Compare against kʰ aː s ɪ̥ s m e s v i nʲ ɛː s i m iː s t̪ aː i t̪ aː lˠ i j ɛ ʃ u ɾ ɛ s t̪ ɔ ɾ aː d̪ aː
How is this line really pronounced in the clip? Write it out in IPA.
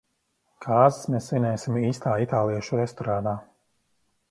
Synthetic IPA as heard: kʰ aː z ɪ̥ s m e s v i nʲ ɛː s i m iː s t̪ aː i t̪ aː lˠ i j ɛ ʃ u ɾ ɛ s t̪ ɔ ɾ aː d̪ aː